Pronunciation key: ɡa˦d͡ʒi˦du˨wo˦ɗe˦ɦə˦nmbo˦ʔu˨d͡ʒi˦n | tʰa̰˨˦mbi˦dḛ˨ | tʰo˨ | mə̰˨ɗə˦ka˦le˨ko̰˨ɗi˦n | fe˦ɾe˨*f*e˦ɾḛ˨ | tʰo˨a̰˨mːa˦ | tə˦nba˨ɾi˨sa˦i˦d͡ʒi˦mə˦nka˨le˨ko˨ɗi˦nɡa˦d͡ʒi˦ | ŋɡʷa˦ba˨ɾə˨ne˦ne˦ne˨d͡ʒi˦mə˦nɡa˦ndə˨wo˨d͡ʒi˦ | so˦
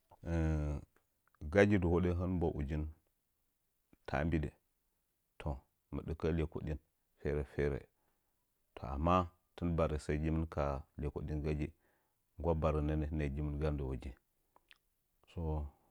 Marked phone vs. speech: correct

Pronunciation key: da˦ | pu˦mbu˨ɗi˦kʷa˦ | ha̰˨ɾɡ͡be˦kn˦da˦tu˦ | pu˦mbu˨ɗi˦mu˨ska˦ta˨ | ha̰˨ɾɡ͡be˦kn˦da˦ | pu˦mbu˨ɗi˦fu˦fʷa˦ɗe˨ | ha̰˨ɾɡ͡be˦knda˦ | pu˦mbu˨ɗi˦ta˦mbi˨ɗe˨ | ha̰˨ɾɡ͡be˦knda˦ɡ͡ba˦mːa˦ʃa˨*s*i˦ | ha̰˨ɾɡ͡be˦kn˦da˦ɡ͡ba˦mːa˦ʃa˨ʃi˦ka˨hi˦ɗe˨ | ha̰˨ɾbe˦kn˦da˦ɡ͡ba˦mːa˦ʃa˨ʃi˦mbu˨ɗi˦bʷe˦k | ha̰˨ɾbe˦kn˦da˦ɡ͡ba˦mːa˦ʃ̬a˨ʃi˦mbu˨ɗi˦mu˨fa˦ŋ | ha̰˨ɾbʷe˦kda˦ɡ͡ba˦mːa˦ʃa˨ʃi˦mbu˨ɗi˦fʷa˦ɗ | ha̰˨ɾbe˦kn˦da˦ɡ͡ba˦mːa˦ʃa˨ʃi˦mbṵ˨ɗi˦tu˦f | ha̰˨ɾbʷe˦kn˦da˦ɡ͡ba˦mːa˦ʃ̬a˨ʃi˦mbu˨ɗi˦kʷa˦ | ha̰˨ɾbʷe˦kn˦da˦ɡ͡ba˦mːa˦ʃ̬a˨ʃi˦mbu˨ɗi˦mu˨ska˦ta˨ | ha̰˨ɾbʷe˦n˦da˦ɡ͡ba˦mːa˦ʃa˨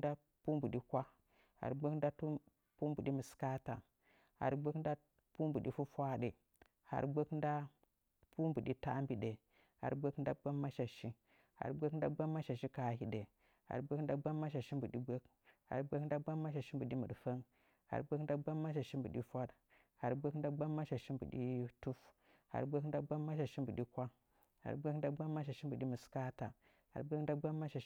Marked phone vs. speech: incorrect: ʃ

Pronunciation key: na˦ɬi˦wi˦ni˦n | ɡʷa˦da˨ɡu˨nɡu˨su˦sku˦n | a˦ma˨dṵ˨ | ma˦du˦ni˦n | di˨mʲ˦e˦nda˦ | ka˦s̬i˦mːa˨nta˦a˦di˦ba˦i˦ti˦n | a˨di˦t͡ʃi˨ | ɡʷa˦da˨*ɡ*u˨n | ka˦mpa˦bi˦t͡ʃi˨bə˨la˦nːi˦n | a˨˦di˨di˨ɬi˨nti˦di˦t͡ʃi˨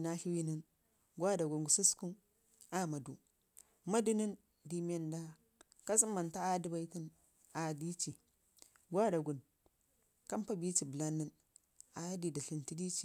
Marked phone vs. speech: correct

